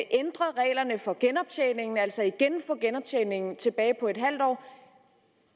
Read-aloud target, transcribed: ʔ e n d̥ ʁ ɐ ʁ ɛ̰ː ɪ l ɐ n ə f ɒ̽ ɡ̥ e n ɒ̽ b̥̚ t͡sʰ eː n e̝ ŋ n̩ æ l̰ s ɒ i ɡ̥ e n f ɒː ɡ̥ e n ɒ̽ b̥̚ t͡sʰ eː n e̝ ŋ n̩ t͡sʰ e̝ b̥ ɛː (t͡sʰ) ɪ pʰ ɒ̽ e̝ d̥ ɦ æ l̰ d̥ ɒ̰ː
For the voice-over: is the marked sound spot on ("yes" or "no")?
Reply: no